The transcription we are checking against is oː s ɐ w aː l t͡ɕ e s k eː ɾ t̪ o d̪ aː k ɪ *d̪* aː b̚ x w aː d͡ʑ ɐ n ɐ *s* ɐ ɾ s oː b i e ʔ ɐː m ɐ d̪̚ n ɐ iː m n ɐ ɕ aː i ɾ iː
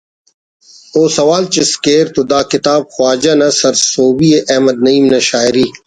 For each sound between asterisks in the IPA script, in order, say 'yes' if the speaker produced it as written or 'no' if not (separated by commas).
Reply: no, yes